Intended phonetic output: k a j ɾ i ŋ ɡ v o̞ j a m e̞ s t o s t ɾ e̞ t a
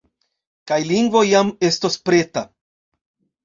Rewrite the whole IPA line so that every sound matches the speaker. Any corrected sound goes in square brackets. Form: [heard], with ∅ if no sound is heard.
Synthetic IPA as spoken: k a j [l] i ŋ ɡ v o̞ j a m e̞ s t o s [p] ɾ e̞ t a